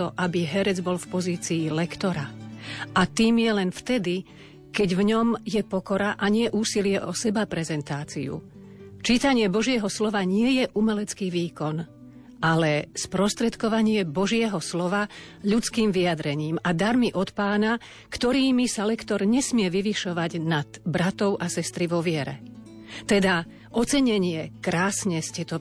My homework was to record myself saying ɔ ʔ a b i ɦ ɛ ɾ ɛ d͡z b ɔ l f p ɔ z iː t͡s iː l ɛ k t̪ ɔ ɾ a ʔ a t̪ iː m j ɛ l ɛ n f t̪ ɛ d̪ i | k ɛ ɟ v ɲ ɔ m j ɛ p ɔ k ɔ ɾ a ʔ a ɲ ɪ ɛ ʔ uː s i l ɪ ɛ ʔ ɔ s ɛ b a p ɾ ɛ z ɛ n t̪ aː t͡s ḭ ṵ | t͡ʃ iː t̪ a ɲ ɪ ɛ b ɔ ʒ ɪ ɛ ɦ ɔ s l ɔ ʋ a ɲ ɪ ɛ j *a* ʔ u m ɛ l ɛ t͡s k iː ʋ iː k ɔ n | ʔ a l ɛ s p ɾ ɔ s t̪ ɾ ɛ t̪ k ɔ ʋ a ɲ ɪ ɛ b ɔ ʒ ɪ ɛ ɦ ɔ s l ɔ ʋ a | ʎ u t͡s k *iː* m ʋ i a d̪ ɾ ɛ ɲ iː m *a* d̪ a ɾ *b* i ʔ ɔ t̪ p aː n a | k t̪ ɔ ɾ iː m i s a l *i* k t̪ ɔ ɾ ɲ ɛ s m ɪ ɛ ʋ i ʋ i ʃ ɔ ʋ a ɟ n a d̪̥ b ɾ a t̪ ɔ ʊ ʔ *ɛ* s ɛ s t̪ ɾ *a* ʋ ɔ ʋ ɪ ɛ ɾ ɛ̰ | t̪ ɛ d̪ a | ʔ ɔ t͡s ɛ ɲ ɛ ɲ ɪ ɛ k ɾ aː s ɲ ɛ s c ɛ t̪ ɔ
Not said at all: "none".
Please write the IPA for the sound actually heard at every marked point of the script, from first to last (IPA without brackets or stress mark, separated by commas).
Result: ɛ, iː, a, m, ɛ, a, i